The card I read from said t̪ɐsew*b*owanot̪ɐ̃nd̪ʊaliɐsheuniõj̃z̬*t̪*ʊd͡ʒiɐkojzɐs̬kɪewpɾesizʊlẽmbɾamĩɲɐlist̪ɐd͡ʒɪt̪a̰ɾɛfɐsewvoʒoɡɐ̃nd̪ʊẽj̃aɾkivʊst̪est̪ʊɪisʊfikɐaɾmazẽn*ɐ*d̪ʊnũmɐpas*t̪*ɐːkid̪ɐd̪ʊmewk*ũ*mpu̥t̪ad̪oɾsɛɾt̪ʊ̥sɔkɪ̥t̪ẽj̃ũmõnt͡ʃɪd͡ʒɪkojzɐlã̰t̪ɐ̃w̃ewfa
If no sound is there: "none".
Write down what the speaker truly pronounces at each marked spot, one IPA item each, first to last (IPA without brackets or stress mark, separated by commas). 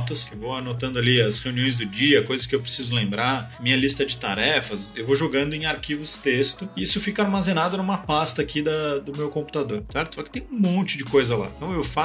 v, d̪, a, t̪, õ